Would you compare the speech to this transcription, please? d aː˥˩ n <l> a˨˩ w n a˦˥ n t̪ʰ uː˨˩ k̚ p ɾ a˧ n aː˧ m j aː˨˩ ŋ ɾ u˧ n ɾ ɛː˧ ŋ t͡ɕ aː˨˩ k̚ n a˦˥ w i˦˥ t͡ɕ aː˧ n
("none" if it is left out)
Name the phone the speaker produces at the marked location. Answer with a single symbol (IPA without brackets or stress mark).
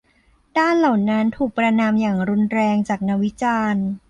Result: l